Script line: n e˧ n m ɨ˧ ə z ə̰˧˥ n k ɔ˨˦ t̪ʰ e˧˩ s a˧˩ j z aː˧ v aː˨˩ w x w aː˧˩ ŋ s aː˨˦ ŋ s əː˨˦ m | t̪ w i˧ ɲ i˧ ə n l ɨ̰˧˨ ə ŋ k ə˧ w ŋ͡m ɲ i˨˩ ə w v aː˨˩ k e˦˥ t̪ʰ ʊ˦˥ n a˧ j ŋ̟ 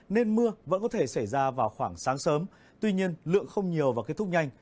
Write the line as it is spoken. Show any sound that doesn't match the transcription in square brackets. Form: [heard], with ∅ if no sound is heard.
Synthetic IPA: n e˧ n m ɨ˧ ə [v] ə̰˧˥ n k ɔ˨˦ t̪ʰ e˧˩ s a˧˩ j z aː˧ v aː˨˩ w x w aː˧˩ ŋ s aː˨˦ ŋ s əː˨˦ m | t̪ w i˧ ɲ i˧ ə n l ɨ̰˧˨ ə ŋ [x] ə˧ w ŋ͡m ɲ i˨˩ ə w v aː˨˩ k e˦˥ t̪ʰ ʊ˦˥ [ɲ] a˧ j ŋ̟